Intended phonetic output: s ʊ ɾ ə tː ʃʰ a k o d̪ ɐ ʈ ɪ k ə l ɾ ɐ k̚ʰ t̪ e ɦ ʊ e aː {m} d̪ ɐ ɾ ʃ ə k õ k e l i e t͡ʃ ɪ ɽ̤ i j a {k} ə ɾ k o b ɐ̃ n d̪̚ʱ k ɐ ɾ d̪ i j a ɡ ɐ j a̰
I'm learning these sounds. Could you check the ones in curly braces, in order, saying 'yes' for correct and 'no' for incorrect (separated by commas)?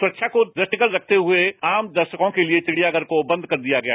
yes, no